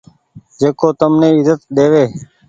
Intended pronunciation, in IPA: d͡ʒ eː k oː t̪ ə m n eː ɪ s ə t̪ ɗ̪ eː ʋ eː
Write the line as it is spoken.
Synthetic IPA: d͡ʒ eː k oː t̪ ə m n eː ɪ z ə t̪ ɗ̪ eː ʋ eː